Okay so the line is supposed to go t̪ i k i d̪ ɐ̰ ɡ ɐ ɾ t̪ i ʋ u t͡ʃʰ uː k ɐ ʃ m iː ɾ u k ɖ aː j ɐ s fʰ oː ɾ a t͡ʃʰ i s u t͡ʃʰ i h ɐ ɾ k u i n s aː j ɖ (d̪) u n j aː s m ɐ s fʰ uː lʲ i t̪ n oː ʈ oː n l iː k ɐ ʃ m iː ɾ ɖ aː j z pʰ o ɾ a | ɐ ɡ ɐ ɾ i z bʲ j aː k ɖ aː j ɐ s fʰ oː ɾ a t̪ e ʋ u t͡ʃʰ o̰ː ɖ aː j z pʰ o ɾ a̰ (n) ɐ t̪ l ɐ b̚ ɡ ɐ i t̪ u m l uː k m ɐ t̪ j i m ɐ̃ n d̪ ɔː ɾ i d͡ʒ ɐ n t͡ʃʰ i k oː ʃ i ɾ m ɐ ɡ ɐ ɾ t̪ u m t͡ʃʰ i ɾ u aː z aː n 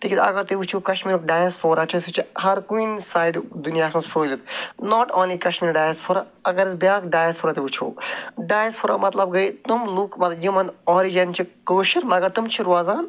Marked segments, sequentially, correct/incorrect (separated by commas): correct, incorrect